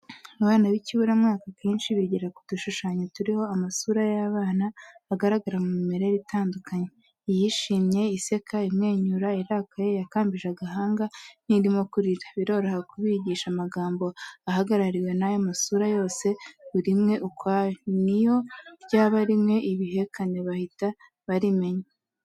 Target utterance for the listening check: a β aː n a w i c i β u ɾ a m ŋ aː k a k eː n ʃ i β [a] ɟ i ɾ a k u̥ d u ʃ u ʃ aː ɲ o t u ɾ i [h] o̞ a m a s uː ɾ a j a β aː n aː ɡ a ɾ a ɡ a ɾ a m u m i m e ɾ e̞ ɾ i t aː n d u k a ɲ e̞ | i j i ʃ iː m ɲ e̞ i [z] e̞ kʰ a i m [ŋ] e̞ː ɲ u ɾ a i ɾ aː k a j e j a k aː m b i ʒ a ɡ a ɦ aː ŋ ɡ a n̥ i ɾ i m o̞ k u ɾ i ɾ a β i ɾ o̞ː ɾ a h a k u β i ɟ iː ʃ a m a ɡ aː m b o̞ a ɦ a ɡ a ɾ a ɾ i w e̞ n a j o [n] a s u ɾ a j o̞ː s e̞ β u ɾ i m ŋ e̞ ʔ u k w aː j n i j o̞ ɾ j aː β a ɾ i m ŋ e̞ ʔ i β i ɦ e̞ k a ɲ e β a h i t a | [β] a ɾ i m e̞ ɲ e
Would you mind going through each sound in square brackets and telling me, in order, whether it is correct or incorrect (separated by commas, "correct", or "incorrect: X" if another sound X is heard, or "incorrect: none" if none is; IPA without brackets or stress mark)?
incorrect: i, correct, incorrect: s, correct, incorrect: m, correct